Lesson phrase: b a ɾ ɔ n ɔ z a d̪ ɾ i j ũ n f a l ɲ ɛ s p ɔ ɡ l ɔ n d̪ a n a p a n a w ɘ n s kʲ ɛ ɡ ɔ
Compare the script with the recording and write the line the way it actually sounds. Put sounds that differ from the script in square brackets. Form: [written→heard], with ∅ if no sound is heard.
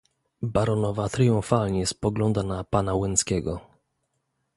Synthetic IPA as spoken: b a ɾ ɔ n ɔ [z→v] a [d̪→t̪] ɾ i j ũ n f a l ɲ ɛ s p ɔ ɡ l ɔ n d̪ a n a p a n a w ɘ n s kʲ ɛ ɡ ɔ